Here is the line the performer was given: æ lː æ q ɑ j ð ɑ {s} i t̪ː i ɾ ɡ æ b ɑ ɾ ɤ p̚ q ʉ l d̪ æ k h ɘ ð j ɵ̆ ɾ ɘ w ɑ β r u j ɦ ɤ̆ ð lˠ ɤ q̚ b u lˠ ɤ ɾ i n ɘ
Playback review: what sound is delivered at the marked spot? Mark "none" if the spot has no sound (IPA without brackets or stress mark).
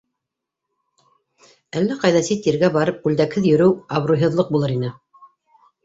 s